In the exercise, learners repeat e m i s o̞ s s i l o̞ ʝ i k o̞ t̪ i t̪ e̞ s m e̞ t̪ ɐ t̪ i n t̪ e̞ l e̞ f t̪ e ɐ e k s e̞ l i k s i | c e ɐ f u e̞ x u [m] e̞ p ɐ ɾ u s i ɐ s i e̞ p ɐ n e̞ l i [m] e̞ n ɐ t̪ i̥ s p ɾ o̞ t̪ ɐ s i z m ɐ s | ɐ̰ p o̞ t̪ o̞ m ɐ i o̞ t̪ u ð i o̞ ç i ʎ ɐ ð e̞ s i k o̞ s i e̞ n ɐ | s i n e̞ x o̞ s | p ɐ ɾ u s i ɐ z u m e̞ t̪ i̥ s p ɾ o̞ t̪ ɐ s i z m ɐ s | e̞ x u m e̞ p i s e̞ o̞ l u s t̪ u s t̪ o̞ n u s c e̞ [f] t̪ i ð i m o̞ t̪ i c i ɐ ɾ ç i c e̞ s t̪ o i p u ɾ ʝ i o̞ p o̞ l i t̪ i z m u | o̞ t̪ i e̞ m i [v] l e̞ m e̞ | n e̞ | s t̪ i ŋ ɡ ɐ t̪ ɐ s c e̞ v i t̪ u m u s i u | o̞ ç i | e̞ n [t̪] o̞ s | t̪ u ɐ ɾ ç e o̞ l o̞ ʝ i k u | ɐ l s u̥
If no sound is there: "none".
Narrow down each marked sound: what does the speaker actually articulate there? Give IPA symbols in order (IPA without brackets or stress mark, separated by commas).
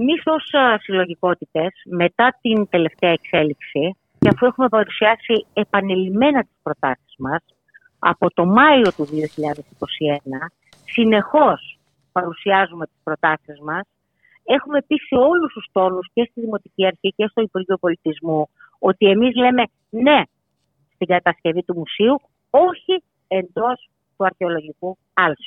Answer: m, m, s, z, d̪